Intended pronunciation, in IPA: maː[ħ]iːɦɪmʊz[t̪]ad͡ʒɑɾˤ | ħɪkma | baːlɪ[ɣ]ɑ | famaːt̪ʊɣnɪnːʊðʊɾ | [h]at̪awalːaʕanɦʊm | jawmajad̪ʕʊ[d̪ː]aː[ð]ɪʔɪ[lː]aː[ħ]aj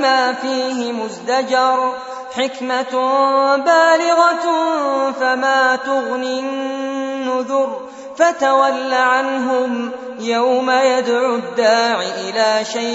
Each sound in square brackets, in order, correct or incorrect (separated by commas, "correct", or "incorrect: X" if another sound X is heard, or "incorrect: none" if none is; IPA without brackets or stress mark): incorrect: f, incorrect: d̪, correct, incorrect: f, correct, incorrect: ʕ, incorrect: l, incorrect: ʃ